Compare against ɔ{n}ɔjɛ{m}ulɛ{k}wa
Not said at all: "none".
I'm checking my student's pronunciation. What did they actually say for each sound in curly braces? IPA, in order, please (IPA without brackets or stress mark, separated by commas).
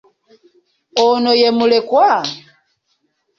n, m, k